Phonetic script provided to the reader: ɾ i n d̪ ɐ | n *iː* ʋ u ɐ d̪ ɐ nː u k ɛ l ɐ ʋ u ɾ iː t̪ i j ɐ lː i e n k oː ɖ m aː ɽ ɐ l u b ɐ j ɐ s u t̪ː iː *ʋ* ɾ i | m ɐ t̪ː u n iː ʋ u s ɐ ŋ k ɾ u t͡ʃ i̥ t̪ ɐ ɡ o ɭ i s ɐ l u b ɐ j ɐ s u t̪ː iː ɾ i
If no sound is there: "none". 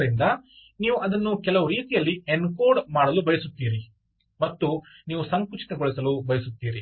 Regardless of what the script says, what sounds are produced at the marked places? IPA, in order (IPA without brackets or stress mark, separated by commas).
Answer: iː, none